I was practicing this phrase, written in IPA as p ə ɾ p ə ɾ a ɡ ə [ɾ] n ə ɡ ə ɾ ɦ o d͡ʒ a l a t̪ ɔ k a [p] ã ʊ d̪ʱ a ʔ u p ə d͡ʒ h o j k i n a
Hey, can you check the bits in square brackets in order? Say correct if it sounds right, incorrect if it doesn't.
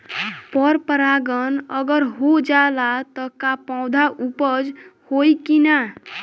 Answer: incorrect: none, correct

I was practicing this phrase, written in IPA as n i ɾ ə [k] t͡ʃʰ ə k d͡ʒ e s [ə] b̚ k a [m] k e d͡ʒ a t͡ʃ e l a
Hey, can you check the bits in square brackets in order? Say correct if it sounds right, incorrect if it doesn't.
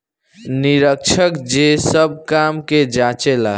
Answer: correct, correct, correct

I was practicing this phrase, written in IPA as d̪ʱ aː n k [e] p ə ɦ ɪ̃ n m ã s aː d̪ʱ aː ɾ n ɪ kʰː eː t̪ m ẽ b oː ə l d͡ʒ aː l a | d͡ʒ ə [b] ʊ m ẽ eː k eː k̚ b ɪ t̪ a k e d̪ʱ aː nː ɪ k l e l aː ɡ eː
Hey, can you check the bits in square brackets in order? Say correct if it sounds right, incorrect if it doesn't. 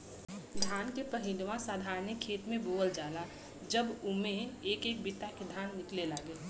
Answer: correct, correct

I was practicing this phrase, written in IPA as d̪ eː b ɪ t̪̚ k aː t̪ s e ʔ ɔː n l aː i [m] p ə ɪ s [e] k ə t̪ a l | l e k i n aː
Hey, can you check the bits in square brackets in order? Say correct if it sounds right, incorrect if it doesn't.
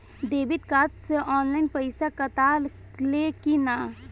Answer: incorrect: n, incorrect: a

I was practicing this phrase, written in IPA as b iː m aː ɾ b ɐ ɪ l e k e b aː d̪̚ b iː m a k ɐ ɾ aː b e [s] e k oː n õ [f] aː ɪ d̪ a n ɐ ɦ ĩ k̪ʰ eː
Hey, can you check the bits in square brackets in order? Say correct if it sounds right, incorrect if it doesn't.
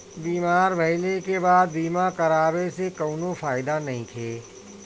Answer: correct, correct

